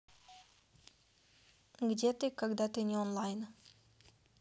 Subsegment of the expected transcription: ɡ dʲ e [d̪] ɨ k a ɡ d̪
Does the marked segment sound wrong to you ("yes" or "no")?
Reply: yes